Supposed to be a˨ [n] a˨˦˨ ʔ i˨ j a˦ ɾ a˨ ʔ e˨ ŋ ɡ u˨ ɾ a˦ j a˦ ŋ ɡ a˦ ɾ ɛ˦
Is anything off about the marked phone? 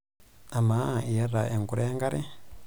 yes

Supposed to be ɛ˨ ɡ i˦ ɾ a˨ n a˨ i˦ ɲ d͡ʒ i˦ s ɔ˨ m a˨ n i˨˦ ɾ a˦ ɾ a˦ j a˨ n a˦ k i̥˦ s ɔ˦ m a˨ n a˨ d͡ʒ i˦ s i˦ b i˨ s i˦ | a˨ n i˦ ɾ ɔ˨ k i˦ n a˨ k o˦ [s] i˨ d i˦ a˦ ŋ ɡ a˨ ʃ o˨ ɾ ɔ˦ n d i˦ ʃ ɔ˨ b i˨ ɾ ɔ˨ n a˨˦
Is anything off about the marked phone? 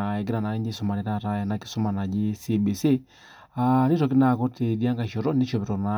yes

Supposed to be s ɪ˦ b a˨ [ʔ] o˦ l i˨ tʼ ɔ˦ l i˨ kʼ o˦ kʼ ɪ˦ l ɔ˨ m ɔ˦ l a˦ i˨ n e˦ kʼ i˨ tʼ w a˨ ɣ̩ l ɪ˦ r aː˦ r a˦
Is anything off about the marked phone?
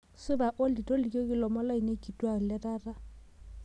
no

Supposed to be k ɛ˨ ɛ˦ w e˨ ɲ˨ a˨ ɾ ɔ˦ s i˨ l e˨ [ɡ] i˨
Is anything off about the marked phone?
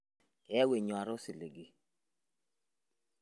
no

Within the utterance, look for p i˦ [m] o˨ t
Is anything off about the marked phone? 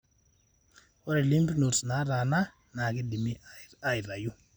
yes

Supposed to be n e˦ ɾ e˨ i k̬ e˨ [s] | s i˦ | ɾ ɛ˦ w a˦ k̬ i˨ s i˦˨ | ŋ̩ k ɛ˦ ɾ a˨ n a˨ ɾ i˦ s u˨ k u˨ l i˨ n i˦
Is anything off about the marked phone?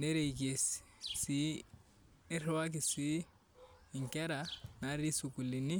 no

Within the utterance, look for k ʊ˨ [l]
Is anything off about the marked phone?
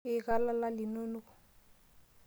yes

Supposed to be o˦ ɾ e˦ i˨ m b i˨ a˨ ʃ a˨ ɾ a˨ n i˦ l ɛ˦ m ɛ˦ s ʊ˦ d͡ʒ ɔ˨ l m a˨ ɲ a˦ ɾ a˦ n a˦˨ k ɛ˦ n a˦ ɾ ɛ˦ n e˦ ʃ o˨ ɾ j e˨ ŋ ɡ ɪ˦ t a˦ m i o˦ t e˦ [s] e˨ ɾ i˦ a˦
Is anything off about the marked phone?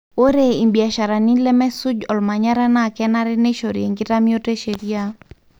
yes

